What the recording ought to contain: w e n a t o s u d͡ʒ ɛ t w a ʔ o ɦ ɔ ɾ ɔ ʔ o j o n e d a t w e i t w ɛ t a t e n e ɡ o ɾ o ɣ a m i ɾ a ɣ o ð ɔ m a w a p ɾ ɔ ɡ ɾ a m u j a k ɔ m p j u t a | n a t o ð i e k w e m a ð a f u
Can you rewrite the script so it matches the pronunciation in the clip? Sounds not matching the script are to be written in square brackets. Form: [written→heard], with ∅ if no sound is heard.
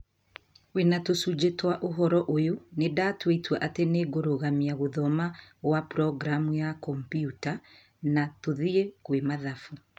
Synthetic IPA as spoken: w e n a t o s u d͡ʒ [ɛ→e] t w a ʔ o ɦ ɔ ɾ ɔ ʔ o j o n e d a t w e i t w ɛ [t→ʔ] a t e n e ɡ o ɾ o ɣ a m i [ɾ→∅] a ɣ o ð ɔ m a w a p ɾ ɔ ɡ ɾ a m u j a k ɔ m p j u t a | n a t o ð i e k w e m a ð a f u